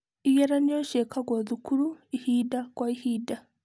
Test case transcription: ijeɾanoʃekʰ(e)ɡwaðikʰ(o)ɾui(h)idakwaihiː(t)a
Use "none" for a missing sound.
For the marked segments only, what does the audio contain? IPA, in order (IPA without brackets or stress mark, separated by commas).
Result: a, u, h, d